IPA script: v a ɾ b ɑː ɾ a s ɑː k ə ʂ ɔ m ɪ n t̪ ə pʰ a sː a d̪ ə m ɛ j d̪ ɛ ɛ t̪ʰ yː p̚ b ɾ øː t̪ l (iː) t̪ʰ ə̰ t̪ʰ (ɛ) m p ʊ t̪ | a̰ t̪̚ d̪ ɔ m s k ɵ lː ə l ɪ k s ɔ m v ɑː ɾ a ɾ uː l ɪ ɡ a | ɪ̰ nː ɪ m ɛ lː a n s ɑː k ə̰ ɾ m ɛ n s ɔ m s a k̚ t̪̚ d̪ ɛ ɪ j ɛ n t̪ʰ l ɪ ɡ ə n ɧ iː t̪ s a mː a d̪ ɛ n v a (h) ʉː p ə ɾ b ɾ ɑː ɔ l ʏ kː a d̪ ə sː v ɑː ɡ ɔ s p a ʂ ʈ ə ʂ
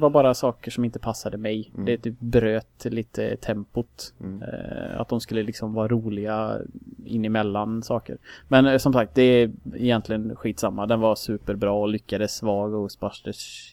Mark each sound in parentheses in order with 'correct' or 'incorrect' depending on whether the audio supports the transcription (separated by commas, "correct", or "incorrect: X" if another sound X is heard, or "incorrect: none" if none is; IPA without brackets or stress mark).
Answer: correct, correct, incorrect: s